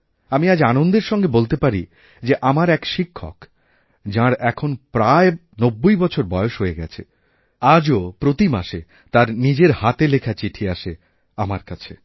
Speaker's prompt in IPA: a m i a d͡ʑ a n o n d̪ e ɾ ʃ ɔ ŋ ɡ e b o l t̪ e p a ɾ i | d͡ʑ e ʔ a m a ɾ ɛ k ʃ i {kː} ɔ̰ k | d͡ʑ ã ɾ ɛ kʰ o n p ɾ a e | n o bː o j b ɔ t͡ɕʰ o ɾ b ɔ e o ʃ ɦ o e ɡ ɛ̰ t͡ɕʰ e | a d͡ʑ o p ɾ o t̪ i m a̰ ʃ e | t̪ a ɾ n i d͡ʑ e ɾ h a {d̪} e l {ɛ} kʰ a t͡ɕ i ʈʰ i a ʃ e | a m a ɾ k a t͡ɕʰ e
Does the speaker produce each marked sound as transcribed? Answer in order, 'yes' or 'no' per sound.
no, no, no

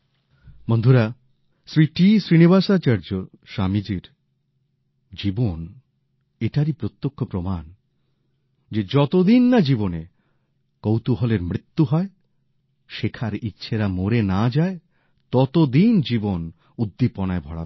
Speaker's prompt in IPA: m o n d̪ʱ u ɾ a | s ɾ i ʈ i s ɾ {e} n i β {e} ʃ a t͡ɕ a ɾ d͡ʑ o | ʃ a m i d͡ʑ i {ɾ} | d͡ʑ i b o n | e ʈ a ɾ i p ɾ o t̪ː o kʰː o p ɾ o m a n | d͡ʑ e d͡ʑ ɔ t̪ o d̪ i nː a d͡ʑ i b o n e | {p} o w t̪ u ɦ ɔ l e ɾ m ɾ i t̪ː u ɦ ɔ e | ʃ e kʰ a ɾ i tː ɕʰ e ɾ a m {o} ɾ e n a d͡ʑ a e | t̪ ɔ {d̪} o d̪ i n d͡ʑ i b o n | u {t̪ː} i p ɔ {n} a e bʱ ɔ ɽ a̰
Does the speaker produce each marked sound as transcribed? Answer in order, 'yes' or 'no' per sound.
no, no, yes, no, yes, no, no, yes

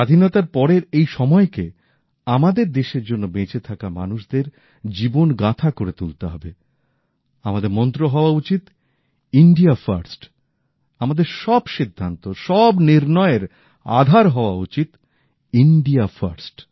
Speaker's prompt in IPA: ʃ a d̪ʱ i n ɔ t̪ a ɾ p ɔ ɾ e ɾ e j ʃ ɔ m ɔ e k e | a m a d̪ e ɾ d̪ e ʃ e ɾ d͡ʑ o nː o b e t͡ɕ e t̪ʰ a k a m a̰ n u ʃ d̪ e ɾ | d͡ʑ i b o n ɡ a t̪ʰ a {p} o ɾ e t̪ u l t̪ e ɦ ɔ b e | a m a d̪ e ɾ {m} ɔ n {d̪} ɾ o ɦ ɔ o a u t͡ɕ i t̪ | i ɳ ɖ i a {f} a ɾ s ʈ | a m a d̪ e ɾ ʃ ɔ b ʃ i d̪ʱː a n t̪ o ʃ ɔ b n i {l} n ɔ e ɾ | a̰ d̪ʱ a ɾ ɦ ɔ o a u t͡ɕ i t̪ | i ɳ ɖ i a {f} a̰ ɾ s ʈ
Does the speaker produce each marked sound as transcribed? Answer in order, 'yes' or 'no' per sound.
no, yes, no, yes, no, yes

